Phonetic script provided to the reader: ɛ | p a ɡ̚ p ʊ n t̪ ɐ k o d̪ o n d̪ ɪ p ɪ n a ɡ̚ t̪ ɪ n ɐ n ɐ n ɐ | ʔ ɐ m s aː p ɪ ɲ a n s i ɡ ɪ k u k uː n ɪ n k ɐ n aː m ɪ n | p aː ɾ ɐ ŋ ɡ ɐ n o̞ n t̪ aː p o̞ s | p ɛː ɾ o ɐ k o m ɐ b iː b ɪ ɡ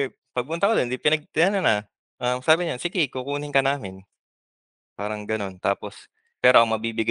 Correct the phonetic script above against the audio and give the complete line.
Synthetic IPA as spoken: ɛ | p ɐ ɡ̚ p ʊ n t̪ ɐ k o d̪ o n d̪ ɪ p ɪ n ɐ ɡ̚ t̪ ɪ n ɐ n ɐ n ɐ | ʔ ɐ m s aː b ɪ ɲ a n s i ɡ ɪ k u k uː n ɪ ŋ k ɐ n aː m ɪ n | p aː ɾ ɐ ŋ ɡ ɐ n o̞ n t̪ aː p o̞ s | p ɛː ɾ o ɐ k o m ɐ b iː b ɪ ɡ